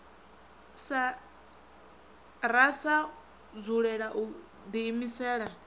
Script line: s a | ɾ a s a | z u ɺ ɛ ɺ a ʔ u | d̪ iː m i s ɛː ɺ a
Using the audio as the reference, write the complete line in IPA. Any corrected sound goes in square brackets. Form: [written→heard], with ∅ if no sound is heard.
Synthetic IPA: s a | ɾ a s a | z u ɺ ɛ ɺ a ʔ u | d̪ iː m i s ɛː ɺ a

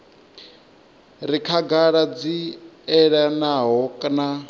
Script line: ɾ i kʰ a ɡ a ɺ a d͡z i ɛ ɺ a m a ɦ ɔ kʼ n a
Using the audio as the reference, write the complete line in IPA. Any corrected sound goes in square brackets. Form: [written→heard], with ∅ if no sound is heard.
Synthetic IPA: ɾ i kʰ a ɡ a ɺ a d͡z i ɛ ɺ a [m→n] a ɦ ɔ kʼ n a

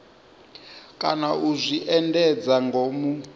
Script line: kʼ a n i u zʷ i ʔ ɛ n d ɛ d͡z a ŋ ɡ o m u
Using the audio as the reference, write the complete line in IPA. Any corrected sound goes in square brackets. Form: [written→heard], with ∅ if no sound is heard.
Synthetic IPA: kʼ a n [i→a] u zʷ i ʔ ɛ n d ɛ d͡z a ŋ ɡ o m u

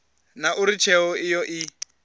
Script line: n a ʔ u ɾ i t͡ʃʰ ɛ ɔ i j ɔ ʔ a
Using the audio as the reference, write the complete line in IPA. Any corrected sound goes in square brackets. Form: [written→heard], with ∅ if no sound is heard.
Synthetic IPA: n a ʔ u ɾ i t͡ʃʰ ɛ ɔ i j ɔ ʔ [a→i]

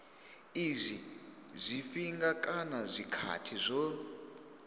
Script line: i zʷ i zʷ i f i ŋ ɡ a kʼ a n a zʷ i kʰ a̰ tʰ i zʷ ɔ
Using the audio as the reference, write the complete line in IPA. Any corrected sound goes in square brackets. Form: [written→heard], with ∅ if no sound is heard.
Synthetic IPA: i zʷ i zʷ i f i ŋ ɡ a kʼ a n a zʷ i kʰ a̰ tʰ i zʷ ɔ

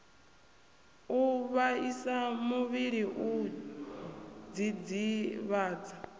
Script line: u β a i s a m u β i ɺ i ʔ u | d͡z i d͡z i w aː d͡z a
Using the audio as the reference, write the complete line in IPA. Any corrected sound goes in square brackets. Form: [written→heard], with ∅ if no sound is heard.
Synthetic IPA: u β a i s a m u β i ɺ i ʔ u | d͡z i d͡z i [w→β] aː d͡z a

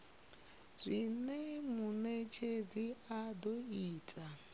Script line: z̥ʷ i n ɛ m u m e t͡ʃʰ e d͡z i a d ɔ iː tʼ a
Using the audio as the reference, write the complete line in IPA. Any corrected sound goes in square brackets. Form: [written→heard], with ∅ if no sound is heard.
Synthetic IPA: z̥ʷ i n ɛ m u [m→n] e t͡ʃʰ e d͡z i a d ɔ iː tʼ a

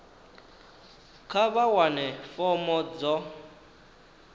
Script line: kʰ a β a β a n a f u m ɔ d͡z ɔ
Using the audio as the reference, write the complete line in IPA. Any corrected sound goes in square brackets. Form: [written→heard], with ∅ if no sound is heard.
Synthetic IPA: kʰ a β a [β→w] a n [a→ɛ] f [u→ɔ] m ɔ d͡z ɔ

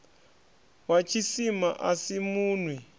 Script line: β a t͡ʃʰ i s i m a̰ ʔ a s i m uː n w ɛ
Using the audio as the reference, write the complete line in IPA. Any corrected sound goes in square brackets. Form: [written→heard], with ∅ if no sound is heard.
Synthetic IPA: [β→w] a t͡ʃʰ i s i m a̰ ʔ a s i m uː n w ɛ

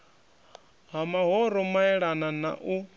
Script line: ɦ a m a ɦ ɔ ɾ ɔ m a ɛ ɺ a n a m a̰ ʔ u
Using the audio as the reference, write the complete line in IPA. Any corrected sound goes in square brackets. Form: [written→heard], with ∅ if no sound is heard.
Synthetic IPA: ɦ a m a ɦ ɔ ɾ ɔ m a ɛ ɺ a n a [m→n] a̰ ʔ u

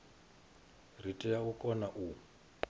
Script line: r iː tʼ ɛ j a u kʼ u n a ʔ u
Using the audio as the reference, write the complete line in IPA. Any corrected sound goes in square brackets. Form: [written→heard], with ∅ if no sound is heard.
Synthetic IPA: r [iː→i] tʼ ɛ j a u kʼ [u→ɔ] n a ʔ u

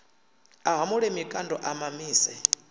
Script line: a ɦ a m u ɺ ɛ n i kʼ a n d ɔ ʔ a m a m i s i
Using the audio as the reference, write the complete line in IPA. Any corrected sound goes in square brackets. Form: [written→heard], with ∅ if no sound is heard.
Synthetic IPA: a ɦ a m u ɺ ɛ [n→m] i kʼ a n d ɔ ʔ a m a m [i→iː] s [i→ɛ]

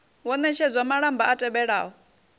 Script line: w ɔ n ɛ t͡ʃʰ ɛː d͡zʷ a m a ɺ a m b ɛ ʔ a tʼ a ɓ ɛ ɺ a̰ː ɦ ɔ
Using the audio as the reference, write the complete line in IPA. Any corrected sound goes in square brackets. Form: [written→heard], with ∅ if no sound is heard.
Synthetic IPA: w ɔ n ɛ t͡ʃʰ [ɛː→ɛ] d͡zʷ a m a ɺ a m b [ɛ→a] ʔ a tʼ [a→ɛ] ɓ ɛ ɺ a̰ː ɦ ɔ

